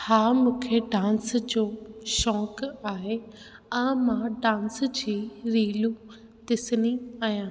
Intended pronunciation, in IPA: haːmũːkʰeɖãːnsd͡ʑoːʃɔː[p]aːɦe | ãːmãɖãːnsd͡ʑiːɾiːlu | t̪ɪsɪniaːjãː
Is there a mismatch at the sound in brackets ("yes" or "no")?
yes